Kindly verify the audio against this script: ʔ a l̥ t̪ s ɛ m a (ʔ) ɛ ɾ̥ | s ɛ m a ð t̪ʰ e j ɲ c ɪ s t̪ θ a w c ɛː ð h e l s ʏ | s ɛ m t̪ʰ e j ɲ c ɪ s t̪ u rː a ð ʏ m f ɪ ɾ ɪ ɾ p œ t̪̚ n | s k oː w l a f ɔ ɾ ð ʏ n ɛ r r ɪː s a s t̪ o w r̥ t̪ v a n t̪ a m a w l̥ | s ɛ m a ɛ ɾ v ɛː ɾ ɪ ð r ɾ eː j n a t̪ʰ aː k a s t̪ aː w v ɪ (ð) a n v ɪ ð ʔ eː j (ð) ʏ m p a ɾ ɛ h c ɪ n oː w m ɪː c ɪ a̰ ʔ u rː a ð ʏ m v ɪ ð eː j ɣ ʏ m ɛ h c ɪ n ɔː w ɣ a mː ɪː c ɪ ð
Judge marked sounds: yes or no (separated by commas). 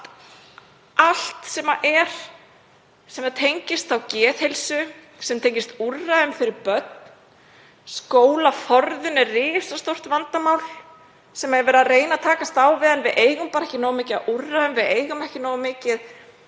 yes, yes, no